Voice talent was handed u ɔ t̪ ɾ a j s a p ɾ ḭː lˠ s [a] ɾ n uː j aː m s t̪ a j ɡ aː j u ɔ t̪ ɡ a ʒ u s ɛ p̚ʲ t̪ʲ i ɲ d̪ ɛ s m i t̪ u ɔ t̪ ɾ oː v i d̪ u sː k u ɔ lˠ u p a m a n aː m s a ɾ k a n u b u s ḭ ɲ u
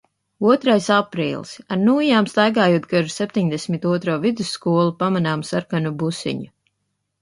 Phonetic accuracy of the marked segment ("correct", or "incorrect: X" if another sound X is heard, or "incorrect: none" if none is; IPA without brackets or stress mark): correct